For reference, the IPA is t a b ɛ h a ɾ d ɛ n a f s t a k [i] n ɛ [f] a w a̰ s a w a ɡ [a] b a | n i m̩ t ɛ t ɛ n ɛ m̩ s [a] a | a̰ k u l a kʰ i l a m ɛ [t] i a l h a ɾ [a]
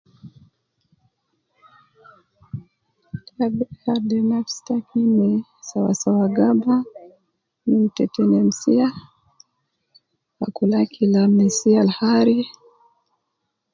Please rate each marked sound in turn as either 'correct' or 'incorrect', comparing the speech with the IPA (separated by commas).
correct, incorrect, correct, incorrect, incorrect, incorrect